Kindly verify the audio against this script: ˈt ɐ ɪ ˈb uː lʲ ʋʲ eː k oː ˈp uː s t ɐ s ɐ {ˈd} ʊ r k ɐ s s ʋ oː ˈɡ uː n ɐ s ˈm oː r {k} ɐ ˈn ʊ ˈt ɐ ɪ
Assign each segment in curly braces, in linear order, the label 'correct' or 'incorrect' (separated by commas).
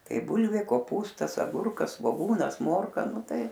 incorrect, correct